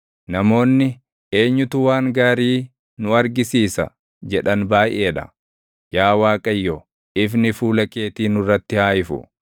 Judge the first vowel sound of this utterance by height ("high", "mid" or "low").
low